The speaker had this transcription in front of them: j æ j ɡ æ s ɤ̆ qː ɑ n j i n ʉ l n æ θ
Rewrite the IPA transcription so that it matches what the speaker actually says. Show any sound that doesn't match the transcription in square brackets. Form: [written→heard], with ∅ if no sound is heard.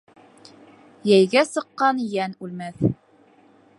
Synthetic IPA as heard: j æ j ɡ æ s ɤ̆ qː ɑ n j [i→æ] n ʉ l [n→m] æ θ